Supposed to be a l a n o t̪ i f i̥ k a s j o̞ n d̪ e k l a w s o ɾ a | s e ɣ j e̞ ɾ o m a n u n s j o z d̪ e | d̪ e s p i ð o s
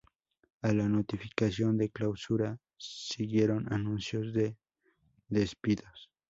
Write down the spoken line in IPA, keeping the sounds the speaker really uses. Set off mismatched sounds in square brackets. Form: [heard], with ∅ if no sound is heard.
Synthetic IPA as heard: a l a n o t̪ i f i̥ k a s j o̞ n d̪ e k l a w s [u] ɾ a | s [i] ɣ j e̞ ɾ o [n] a n u n s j o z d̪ e | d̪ e s p i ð o s